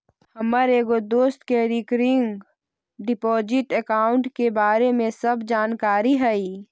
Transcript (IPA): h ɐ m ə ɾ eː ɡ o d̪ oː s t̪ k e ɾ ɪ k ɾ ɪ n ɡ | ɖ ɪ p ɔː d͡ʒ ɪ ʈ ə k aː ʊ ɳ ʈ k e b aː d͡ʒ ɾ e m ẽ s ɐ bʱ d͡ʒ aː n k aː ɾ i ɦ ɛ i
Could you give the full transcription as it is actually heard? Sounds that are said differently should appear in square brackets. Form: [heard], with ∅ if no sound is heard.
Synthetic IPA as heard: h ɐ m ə ɾ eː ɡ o d̪ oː s t̪ k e ɾ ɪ k ɾ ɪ [ŋ] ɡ | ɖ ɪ p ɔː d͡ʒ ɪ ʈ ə k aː ʊ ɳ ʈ k e b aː [∅] ɾ e m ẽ s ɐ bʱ d͡ʒ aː n k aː ɾ i ɦ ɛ i